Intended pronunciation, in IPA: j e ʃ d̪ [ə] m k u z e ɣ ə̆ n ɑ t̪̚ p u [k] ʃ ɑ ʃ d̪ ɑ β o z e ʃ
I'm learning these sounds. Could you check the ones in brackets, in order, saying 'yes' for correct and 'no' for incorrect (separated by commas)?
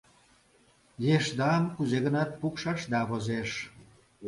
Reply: no, yes